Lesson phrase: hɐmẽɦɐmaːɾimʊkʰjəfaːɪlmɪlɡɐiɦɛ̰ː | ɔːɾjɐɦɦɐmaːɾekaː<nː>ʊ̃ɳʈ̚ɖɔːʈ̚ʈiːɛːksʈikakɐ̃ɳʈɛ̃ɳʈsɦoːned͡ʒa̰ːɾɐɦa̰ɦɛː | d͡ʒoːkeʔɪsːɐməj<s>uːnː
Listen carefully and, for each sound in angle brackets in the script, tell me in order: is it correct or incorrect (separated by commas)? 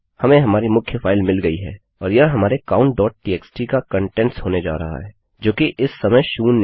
incorrect, incorrect